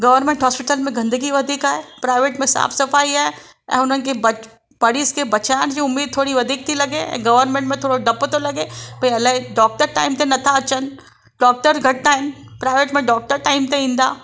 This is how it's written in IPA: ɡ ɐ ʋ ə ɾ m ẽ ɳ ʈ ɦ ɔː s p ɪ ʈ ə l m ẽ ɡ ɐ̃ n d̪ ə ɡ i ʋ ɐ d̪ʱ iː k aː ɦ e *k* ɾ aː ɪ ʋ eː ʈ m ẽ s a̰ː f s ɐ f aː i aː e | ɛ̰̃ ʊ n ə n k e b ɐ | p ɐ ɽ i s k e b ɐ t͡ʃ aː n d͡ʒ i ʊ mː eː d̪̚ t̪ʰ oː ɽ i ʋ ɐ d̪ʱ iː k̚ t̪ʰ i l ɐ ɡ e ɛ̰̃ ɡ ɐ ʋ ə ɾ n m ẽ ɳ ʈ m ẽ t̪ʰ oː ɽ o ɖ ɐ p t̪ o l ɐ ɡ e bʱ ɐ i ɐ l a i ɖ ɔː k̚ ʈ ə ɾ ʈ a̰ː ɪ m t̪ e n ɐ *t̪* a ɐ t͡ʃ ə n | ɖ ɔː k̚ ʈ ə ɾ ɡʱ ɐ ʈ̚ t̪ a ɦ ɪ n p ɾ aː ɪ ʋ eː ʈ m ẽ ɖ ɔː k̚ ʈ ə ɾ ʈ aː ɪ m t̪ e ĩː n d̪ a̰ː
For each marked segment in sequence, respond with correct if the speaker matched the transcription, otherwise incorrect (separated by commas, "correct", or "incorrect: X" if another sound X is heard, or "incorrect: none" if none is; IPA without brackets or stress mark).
incorrect: p, incorrect: t̪ʰ